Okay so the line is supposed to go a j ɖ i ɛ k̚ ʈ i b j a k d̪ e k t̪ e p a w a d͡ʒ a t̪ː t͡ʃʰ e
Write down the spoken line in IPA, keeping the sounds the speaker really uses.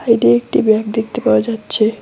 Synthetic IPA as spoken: a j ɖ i e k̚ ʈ i b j a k d̪ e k t̪ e p a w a d͡ʒ a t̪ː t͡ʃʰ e